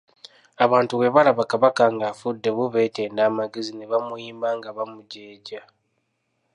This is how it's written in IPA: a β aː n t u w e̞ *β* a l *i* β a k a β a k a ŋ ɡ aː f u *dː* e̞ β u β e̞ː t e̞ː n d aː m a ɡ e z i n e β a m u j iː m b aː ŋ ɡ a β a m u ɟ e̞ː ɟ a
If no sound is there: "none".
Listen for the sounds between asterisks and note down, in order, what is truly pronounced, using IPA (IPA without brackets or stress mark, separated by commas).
β, a, dː